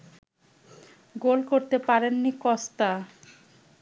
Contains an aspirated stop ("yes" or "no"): no